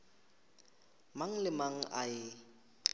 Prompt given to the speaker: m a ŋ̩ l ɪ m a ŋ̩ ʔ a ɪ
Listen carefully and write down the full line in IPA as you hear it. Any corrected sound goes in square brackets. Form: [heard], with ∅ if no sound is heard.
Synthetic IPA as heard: m a ŋ̩ l ɪ m a ŋ̩ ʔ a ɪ